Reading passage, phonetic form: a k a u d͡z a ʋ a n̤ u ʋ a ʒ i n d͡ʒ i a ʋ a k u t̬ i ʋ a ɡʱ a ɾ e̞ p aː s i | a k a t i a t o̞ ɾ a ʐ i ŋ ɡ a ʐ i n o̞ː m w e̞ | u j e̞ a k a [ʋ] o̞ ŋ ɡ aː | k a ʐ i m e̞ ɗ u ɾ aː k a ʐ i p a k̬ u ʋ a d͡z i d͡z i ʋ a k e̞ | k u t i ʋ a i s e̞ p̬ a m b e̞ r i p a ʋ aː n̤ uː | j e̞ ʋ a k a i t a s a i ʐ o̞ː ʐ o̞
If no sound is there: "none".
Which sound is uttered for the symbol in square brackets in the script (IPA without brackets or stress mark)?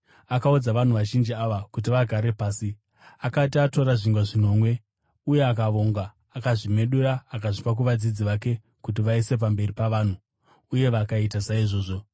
ʋ